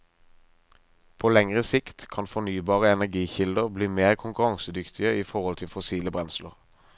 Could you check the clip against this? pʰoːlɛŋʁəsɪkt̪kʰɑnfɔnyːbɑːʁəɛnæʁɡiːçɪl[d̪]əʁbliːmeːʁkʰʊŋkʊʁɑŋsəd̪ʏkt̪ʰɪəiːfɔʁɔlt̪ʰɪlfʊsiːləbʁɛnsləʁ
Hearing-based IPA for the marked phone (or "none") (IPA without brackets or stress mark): d̪